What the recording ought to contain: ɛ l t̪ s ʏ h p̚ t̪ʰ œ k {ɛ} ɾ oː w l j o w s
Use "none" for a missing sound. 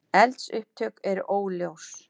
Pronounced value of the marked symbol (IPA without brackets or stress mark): ɛ